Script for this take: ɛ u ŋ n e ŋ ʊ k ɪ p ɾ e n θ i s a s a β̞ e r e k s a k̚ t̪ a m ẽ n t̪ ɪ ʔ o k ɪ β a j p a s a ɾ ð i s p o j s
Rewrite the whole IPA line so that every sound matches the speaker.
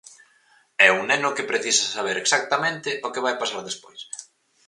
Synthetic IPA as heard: ɛ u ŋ n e n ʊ k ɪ p ɾ e θ i s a s a β̞ e ɾ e k s a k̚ t̪ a m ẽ n t̪ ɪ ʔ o k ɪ β a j p a s a ɾ ð e s p o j s